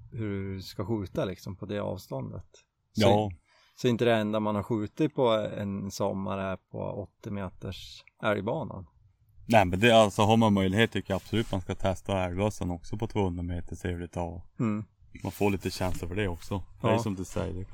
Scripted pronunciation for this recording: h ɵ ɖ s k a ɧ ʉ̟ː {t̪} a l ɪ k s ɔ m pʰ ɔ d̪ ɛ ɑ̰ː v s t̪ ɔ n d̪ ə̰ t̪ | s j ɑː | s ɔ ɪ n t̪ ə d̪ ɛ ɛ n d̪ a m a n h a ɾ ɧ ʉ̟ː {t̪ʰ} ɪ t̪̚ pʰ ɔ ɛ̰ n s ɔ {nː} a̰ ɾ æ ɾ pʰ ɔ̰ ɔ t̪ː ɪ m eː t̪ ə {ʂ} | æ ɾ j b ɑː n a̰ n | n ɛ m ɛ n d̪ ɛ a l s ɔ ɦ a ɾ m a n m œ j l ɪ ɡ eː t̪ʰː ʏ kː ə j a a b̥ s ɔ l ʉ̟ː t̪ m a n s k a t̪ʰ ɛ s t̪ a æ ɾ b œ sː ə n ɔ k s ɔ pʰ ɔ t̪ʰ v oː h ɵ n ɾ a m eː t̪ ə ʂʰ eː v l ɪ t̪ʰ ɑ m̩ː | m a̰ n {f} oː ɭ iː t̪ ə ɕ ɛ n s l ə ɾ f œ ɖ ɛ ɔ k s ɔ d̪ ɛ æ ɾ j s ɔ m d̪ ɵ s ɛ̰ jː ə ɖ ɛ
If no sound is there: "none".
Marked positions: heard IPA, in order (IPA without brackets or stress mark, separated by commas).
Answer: t̪, t̪, mː, ʂ, f